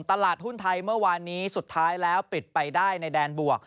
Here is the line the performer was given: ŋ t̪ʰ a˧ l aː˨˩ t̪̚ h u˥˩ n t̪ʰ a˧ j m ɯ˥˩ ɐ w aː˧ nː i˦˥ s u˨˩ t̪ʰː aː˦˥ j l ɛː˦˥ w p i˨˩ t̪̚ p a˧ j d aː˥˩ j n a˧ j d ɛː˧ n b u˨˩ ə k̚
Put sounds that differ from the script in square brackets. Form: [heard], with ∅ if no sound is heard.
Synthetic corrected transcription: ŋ [t̪] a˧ l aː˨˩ t̪̚ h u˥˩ n t̪ʰ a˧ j m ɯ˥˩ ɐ w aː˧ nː [iː˦˥] s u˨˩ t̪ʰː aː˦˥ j l ɛː˦˥ w p i˨˩ t̪̚ p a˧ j d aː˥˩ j n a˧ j d ɛː˧ n b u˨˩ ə k̚